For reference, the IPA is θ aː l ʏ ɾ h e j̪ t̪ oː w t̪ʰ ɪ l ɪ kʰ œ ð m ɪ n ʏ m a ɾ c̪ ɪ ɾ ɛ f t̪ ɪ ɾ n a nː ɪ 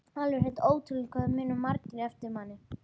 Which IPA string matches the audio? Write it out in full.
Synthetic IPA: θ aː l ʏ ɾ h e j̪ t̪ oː w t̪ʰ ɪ l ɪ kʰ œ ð m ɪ n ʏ m a ɾ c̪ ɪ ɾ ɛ f t̪ ɪ ɾ m a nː ɪ

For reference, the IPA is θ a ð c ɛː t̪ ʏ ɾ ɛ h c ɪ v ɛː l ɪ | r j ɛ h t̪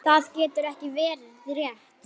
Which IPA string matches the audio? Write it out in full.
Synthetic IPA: θ a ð c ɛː t̪ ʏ ɾ ɛ h c ɪ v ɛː ɾ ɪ | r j ɛ h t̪

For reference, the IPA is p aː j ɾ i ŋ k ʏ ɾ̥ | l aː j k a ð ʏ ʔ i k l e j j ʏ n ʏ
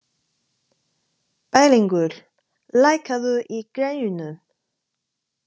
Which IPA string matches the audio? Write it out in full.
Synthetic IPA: p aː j l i ŋ k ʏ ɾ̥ | l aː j k a ð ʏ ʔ i k ɾ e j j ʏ n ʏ

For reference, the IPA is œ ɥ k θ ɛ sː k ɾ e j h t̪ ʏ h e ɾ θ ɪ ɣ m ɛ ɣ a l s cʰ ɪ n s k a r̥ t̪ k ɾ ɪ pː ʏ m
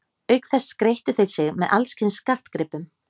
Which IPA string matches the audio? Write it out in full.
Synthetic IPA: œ ɥ k θ ɛ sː k ɾ e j h t̪ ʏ θ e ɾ s ɪ ɣ m ɛ ð a l s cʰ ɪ n s k a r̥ t̪ k ɾ ɪ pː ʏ m

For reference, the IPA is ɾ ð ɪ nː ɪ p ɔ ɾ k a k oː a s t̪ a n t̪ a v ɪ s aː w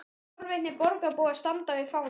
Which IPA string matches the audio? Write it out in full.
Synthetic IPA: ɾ v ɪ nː ɪ p ɔ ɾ k a p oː a s t̪ a n t̪ a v ɪ f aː w

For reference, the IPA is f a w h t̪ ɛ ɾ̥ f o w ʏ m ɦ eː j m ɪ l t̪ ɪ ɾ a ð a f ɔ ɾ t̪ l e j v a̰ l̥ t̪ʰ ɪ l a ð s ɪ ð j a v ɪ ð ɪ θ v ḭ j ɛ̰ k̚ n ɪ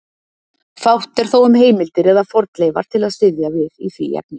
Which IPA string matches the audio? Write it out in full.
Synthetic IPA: f a w h t̪ ɛ ɾ̥ θ o w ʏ m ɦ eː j m ɪ l t̪ ɪ ɾ ɛ ð a f ɔ ɾ t̪ l e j v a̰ ɾ̥ t̪ʰ ɪ l a ð s ɪ ð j a v ɪ ð i θ v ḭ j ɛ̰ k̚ n ɪ

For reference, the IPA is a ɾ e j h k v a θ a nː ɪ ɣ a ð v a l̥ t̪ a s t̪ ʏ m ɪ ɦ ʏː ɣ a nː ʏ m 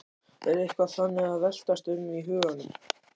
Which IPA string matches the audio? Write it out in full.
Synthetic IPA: ɛ ɾ e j h k v a θ a nː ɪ ɣ a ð v ɛ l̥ t̪ a s t̪ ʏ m i ɦ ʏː ɣ a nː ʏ m

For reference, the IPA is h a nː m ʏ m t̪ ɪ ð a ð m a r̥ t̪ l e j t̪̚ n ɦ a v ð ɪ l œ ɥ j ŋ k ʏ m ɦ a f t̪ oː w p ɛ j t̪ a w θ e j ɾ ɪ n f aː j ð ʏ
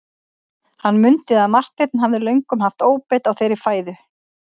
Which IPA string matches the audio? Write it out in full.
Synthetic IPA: h a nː m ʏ n t̪ ɪ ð a ð m a r̥ t̪ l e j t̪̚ n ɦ a v ð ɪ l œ ɥ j ŋ k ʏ m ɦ a f t̪ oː w p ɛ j t̪ a w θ e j ɾ ɪ f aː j ð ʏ

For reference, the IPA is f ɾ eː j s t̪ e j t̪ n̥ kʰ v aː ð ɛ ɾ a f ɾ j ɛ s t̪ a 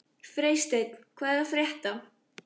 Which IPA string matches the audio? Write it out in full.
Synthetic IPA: f ɾ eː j s t̪ e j t̪ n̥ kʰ v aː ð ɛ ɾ a f ɾ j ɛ h t̪ a

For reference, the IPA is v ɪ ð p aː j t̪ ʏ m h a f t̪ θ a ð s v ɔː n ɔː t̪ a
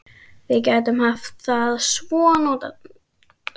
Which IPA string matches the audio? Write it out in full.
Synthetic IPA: v ɪ ð c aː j t̪ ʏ m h a f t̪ θ a ð s v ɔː n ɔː t̪ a

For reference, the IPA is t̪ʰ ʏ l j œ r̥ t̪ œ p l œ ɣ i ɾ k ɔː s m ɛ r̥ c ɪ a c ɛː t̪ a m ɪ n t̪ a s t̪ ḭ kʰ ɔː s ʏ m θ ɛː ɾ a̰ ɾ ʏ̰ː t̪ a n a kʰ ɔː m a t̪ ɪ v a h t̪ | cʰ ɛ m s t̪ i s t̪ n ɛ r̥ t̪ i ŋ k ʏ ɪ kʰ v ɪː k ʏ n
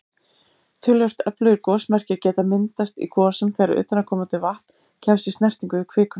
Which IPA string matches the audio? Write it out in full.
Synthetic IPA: t̪ʰ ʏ l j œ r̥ t̪ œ p l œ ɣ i ɾ k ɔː s m ɛ r̥ c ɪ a c ɛː t̪ a m ɪ n t̪ a s t̪ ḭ kʰ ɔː s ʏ m θ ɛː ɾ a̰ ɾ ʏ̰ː t̪ a n a kʰ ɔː m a t̪ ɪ v a h t̪ | cʰ ɛ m s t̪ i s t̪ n ɛ r̥ t̪ i ŋ k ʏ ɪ kʰ v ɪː k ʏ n

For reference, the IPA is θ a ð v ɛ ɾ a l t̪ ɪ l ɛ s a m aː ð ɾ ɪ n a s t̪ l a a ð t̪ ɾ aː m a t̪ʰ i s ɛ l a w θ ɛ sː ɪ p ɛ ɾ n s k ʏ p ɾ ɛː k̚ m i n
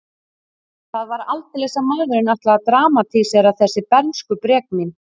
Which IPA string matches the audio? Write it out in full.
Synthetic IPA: θ a ð v a ɾ a l t̪ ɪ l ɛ s a m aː ð ɾ ɪ n a h t̪ l a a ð t̪ ɾ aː m a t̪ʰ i s ɛ ɾ a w θ ɛ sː ɪ p ɛ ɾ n s k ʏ p ɾ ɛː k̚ m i n

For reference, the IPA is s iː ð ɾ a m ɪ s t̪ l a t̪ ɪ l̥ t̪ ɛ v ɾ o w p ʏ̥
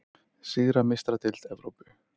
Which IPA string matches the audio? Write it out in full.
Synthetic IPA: s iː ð ɾ a m ɪ s t̪ ɾ a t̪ ɪ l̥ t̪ ɛ v ɾ o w p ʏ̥

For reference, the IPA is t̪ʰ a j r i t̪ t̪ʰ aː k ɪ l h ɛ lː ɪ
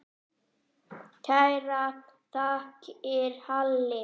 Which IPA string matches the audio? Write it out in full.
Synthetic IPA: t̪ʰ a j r a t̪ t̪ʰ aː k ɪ ɾ h a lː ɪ

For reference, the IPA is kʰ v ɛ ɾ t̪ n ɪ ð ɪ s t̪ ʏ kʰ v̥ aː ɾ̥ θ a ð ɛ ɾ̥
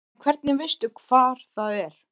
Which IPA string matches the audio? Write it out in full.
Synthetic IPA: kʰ v ɛ ɾ t̪ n ɪ v ɪ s t̪ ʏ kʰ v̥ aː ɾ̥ θ a ð ɛ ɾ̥

